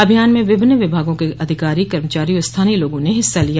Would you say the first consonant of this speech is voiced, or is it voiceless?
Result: voiced